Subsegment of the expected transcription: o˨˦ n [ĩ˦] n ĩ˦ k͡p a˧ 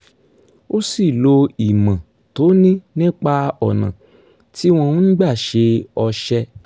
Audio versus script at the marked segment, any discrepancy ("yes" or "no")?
no